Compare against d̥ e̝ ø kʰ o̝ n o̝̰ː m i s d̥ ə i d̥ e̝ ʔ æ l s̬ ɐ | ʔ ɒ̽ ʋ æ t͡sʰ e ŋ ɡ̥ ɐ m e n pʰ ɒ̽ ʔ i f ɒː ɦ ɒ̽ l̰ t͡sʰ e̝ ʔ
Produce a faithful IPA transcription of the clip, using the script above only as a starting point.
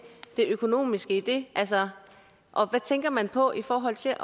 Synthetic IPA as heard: d̥ e̝ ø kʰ o̝ n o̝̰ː m i s ɡ̥ ə i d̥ e̝ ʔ æ l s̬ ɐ | ʔ ɒ̽ ʋ æ t͡sʰ e ŋ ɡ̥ ɐ m æ n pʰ ɒ̽ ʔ i f ɒː ɦ ɒ̽ l̰ t͡sʰ e̝ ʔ